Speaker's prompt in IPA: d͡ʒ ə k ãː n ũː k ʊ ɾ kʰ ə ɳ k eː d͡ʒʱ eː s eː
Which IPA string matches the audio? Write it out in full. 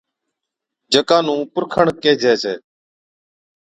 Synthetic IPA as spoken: d͡ʒ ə k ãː n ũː p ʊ ɾ kʰ ə ɳ k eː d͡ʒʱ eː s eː